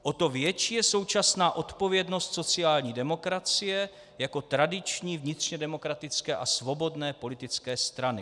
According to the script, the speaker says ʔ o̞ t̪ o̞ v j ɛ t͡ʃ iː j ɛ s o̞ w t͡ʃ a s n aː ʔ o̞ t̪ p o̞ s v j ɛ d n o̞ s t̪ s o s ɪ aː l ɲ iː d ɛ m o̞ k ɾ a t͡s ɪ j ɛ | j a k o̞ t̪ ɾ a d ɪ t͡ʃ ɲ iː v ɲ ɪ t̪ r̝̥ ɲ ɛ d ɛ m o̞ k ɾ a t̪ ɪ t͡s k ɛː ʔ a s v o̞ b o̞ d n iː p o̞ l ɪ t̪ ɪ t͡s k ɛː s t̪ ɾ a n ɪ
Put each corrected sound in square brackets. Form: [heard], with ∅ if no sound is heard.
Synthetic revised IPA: ʔ o̞ t̪ o̞ v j ɛ t͡ʃ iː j ɛ s o̞ w t͡ʃ a s n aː ʔ o̞ t̪ p o̞ [∅] v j ɛ d n o̞ s t̪ s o [t͡s] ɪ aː l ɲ iː d ɛ m o̞ k ɾ a t͡s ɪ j ɛ | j a k o̞ t̪ ɾ a d ɪ t͡ʃ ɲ iː v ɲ ɪ t̪ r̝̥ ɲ ɛ d ɛ m o̞ k ɾ a t̪ ɪ t͡s k ɛː ʔ a s v o̞ b o̞ d n [ɛː] p o̞ l ɪ t̪ ɪ t͡s k ɛː s t̪ ɾ a n ɪ

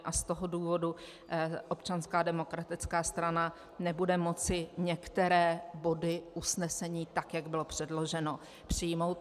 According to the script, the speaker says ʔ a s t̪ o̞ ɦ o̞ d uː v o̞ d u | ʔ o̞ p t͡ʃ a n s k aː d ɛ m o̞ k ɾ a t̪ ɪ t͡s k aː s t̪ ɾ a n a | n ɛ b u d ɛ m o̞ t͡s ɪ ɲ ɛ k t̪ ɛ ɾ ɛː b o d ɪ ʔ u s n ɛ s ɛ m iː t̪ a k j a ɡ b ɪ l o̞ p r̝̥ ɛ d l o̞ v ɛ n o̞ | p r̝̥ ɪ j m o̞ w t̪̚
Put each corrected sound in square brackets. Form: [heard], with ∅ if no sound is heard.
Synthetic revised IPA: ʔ a s t̪ o̞ ɦ o̞ d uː v o̞ d u | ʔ o̞ p t͡ʃ a n s k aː d ɛ m o̞ k ɾ a t̪ ɪ t͡s k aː s t̪ ɾ a n a | n ɛ b u d ɛ m o̞ t͡s ɪ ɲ ɛ k t̪ ɛ ɾ ɛː b o d ɪ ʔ u s n ɛ s ɛ [ɲ] iː t̪ a k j a ɡ b ɪ l o̞ p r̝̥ ɛ d l o̞ [ʒ] ɛ n o̞ | p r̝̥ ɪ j m o̞ w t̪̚

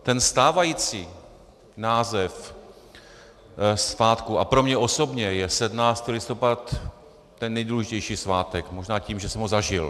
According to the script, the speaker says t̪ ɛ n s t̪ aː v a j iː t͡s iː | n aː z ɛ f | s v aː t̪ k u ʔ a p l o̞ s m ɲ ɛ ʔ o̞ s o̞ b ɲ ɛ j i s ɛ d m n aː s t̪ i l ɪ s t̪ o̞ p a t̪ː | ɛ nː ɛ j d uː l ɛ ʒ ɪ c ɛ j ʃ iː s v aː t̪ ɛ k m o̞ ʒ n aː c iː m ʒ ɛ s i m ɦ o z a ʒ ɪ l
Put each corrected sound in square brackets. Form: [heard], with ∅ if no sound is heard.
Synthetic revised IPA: t̪ ɛ n s t̪ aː v a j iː t͡s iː | n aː z ɛ f | s v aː t̪ k u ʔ a p [ɾ] o̞ [∅] m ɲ ɛ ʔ o̞ s o̞ b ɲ ɛ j [ɛ] s ɛ d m n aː s t̪ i l ɪ s t̪ o̞ p a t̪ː | ɛ nː ɛ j d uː l ɛ ʒ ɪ c ɛ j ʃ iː s v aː t̪ ɛ k m o̞ ʒ n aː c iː m ʒ ɛ s [ɛ] m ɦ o z a ʒ ɪ l

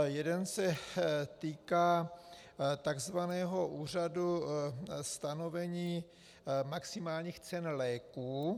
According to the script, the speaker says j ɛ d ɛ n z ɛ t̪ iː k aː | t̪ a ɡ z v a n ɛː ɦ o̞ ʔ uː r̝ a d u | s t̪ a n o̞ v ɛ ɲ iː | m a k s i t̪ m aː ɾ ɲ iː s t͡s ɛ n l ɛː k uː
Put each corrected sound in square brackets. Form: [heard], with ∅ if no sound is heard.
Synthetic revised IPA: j ɛ d ɛ n [s] ɛ t̪ iː k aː | t̪ a ɡ z v a n ɛː ɦ o̞ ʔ uː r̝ a d u | s t̪ a n o̞ v ɛ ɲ iː | m a k s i [∅] m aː [l] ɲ iː [x] t͡s ɛ n l ɛː k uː

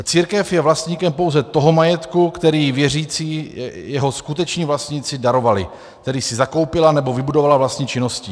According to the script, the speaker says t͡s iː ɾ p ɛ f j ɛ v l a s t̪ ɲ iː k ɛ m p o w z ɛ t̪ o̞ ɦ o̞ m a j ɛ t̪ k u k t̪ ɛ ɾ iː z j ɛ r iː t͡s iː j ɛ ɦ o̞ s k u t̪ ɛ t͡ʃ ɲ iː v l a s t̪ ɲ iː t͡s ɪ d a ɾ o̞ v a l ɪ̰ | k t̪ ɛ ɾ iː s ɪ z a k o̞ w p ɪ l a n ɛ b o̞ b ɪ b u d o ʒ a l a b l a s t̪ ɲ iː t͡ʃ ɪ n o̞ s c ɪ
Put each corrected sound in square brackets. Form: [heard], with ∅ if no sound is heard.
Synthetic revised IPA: t͡s iː ɾ [k] ɛ f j ɛ v l a s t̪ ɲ iː k ɛ m p o w z ɛ t̪ o̞ ɦ o̞ m a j ɛ t̪ k u k t̪ ɛ ɾ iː [v] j ɛ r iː t͡s iː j ɛ ɦ o̞ s k u t̪ ɛ t͡ʃ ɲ iː v l a s t̪ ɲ iː t͡s ɪ d a ɾ o̞ v a l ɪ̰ | k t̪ ɛ ɾ iː s ɪ z a k o̞ w p ɪ l a n ɛ b o̞ [v] ɪ b u d o [v] a l a [v] l a s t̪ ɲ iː t͡ʃ ɪ n o̞ s c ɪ

